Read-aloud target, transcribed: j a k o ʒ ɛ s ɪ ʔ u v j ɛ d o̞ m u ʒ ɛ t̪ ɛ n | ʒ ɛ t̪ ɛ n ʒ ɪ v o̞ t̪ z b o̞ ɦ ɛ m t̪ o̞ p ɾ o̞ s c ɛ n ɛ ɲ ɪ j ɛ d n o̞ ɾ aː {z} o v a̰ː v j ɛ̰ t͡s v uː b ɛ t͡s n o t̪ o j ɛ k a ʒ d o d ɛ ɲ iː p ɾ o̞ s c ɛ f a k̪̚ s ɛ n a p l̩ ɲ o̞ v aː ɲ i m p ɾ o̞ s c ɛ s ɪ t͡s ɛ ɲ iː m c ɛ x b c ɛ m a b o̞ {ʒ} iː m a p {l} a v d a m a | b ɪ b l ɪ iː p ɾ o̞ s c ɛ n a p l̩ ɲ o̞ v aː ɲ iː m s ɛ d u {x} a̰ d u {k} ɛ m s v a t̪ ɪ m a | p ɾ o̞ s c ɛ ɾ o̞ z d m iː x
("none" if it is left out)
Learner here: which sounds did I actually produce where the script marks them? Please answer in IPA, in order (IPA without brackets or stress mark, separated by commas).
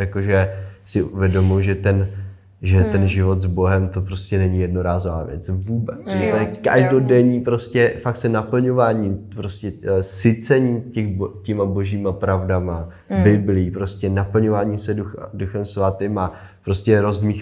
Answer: z, ʒ, ɾ, x, x